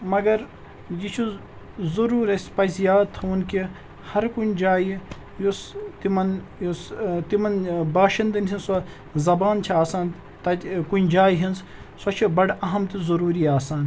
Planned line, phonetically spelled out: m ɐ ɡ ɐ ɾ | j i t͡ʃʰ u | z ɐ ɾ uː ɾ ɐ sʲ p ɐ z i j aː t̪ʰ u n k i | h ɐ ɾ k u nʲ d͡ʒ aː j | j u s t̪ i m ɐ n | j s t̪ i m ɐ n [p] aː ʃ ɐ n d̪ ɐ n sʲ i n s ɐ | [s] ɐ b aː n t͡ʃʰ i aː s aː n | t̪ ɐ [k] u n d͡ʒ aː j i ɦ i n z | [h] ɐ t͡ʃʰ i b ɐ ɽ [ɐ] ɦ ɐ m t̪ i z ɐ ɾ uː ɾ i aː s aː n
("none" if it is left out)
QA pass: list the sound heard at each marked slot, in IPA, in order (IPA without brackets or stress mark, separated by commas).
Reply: b, z, k, s, ɐ